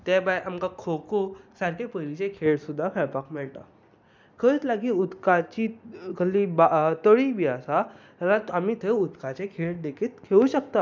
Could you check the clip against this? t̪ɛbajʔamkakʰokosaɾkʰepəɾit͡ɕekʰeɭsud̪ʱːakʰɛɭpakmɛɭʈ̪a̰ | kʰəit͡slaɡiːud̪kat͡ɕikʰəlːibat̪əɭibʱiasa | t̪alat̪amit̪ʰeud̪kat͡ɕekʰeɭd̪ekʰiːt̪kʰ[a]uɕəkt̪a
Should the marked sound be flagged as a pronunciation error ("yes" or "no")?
yes